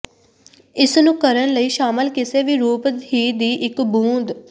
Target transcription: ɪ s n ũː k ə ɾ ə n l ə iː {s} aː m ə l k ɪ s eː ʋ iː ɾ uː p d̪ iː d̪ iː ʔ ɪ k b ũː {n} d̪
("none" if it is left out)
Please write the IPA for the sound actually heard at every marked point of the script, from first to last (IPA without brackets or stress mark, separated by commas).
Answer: ʃ, n